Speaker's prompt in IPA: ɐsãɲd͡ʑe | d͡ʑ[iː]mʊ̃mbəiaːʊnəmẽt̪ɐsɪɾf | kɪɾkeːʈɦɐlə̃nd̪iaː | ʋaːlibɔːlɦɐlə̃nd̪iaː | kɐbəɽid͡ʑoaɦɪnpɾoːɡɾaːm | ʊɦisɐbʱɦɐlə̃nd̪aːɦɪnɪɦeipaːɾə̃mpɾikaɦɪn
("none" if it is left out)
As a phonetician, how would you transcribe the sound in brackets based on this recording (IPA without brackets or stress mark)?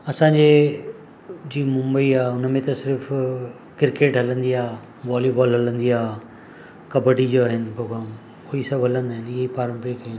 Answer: iː